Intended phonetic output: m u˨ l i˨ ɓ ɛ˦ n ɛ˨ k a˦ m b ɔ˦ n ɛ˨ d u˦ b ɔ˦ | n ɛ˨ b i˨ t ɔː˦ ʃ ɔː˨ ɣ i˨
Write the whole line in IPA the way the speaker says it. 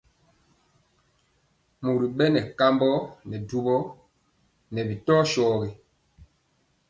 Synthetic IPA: m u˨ ɾ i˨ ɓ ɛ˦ n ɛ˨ k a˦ m b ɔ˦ n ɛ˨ d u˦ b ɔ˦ | n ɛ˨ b i˨ t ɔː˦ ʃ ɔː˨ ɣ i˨